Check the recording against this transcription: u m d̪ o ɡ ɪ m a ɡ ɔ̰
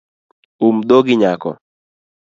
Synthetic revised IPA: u m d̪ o ɡ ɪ ɲ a k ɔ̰